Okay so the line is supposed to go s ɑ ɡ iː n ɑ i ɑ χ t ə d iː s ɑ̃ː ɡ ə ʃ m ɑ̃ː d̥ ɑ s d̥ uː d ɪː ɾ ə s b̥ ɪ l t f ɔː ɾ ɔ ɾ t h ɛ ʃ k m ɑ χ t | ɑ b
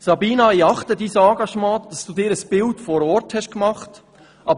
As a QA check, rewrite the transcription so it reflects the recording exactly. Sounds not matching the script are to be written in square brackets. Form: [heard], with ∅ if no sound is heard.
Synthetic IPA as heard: s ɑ [b] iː n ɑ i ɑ χ t ə d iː s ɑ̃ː ɡ [ɑ] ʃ m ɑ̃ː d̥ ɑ s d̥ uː d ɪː ɾ ə s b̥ ɪ l t f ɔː ɾ ɔ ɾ t h ɛ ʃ k m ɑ χ t | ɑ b